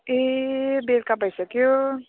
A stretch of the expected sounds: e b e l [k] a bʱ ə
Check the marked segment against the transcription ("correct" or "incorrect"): correct